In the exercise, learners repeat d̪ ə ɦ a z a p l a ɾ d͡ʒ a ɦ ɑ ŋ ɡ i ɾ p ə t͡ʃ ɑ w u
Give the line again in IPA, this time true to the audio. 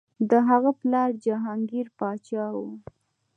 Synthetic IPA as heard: d̪ ə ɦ a ɣ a p l ɑ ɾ d͡ʒ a ɦ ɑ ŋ ɡ i ɾ p ɑ t͡ʃ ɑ w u